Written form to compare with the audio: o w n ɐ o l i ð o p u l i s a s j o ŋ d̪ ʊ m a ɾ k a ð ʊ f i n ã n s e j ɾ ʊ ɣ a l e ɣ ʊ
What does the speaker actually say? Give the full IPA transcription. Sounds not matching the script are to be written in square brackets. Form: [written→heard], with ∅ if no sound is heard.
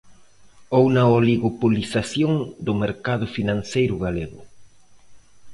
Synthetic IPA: o w n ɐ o l i [ð→ɣ] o p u l i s a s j o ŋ d̪ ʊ m [a→e] ɾ k a ð ʊ f i n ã n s e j ɾ ʊ ɣ a l e ɣ ʊ